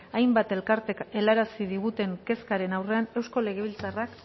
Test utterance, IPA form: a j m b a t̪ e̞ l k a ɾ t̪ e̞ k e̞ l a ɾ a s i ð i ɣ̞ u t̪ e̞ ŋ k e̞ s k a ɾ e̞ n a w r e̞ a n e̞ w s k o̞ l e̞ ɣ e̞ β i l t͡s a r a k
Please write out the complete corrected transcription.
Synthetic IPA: a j m b a t̪ e̞ l k a ɾ t̪ e̞ k e̞ l a ɾ a s i ð i ɣ̞ u t̪ e̞ ŋ k e̞ s k a ɾ e̞ n a w r e̞ a n e̞ w s k o̞ l e̞ ɣ e̞ β i l t͡s a r a k